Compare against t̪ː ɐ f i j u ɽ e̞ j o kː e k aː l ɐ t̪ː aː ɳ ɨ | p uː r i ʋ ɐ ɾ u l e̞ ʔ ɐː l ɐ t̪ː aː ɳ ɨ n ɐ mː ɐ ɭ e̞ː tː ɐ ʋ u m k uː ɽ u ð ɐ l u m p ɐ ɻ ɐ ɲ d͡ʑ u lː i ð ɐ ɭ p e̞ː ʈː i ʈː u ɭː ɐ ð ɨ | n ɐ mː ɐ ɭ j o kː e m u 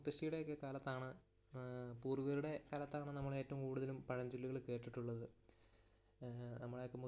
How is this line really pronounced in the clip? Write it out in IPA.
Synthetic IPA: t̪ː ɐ ʂ i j u ɽ e̞ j o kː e k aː l ɐ t̪ː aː ɳ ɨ | p uː r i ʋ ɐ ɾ u ɽ e̞ k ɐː l ɐ t̪ː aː ɳ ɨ n ɐ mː ɐ ɭ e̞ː tː ɐ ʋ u m k uː ɽ u ð ɐ l u m p ɐ ɻ ɐ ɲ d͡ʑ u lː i ɣ ɐ ɭ k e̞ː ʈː i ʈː u ɭː ɐ ð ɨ | n ɐ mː ɐ ɭ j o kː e m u